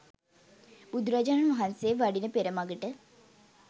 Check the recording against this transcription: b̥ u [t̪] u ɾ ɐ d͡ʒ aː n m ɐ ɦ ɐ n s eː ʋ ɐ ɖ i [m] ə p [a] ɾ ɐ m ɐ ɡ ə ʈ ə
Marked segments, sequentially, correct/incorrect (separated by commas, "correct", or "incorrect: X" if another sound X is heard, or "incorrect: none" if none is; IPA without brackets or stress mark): incorrect: d̪, incorrect: n, incorrect: e